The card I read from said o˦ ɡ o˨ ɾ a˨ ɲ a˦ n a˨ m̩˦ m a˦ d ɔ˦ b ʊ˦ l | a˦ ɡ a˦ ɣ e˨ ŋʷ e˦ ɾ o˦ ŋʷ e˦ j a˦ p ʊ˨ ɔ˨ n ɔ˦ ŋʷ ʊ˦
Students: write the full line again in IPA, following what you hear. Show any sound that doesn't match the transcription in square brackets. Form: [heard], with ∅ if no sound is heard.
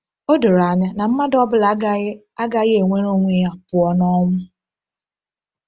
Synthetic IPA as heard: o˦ [d] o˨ ɾ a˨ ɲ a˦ n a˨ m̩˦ m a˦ d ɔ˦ b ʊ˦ l | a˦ ɡ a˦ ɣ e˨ ŋʷ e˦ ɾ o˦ ŋʷ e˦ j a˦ p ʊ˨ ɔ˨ n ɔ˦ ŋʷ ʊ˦

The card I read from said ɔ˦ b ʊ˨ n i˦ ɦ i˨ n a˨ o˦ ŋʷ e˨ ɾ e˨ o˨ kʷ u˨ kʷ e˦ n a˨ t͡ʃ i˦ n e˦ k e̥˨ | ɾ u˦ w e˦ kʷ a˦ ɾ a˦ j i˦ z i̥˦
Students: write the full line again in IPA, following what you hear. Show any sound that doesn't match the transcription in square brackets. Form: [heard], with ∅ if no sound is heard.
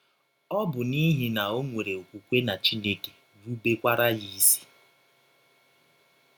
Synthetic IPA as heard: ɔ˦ b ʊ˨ n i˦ ɦ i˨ n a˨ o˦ ŋʷ e˨ ɾ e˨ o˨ kʷ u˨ kʷ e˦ n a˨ t͡ʃ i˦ n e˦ k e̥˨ | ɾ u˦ [b] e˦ kʷ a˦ ɾ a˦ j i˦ [s] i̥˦

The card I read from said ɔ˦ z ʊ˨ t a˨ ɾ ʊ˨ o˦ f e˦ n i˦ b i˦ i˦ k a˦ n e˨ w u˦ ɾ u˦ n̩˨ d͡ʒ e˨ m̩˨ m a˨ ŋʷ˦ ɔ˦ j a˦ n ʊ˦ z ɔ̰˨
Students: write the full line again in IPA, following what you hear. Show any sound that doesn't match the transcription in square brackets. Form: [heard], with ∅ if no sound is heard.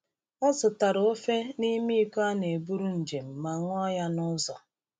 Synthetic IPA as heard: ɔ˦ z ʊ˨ t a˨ ɾ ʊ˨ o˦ f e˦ n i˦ [m] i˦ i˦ k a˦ n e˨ [b] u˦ ɾ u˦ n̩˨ d͡ʒ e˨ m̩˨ m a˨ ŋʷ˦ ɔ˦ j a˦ n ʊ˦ z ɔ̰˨

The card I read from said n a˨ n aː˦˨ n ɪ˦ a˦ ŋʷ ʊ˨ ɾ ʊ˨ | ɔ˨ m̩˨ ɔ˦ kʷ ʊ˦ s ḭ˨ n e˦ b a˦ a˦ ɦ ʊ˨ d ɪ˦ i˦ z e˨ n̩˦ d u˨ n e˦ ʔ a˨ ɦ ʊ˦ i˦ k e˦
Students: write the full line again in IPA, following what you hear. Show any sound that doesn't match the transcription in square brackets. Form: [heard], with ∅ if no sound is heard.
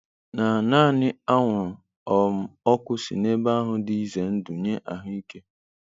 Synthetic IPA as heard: n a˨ n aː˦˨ n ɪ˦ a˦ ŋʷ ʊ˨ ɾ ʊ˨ | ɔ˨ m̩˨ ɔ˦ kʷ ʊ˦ s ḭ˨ n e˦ b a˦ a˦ ɦ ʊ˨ d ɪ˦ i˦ z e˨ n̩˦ d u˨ [ɲ] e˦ ʔ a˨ ɦ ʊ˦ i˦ k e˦

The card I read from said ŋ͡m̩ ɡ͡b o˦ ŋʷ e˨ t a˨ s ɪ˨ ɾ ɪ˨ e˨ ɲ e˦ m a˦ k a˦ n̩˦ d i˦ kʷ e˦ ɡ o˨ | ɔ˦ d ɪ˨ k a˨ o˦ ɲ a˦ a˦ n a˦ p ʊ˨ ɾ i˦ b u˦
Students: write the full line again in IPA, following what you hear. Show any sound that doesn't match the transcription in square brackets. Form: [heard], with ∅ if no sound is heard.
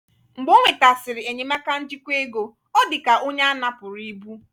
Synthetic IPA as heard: ŋ͡m̩ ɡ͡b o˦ ŋʷ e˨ t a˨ s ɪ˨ ɾ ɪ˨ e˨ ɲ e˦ m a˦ k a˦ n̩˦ [d͡ʒ] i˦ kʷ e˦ ɡ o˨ | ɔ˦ d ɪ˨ k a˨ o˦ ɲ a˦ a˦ n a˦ p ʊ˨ ɾ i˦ b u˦

